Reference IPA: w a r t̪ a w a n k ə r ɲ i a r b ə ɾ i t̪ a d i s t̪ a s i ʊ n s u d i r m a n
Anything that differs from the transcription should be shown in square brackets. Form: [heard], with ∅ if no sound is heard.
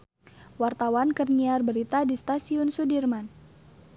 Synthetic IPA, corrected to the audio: w a r t̪ a w a n k ə r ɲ i a r b ə ɾ i t̪ a d i s t̪ a s i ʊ n s u d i r m a n